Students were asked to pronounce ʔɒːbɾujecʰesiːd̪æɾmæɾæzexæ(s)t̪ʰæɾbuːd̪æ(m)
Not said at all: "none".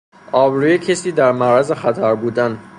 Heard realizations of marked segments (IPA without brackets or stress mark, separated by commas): none, n